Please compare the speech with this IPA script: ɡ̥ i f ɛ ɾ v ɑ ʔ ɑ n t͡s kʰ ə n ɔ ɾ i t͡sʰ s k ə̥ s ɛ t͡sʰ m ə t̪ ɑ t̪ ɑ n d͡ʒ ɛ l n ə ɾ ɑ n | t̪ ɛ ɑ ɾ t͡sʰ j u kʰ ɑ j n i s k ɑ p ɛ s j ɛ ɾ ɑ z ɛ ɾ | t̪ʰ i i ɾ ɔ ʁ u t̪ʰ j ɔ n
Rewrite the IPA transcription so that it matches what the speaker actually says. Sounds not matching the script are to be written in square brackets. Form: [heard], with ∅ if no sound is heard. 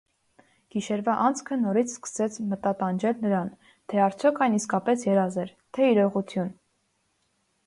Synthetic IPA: ɡ̥ i [ʃ] ɛ ɾ v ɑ ʔ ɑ n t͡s kʰ ə n ɔ ɾ i t͡sʰ s k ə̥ s ɛ t͡sʰ m ə t̪ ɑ t̪ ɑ n d͡ʒ ɛ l n ə ɾ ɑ n | [t̪ʰ] ɛ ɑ ɾ t͡sʰ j [ɔ] kʰ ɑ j n i s k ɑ p ɛ s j ɛ ɾ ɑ z ɛ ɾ | t̪ʰ [ɛ] i ɾ ɔ ʁ u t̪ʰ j [u] n